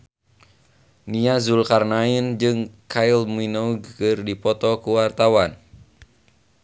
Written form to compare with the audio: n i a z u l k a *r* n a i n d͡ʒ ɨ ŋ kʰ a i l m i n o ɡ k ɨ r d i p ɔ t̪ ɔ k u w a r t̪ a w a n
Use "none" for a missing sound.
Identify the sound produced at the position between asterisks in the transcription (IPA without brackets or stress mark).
r